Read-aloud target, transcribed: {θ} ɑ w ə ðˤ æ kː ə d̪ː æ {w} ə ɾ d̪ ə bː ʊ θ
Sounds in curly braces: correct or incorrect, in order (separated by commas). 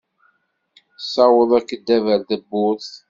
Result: incorrect, incorrect